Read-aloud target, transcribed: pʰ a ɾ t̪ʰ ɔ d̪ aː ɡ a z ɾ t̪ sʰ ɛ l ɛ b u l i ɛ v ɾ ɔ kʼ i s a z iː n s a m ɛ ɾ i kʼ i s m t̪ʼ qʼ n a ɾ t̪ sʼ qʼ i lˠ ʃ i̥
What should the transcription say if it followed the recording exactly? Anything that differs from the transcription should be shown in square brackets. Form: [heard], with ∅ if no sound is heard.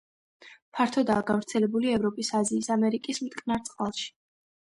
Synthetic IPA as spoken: pʰ a ɾ t̪ʰ ɔ d̪ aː ɡ a [v] ɾ t̪ sʰ ɛ l ɛ b u l i ɛ v ɾ ɔ [pʼ] i s a z iː [∅] s a m ɛ ɾ i kʼ i s m t̪ʼ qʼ n a ɾ t̪ sʼ qʼ [a] lˠ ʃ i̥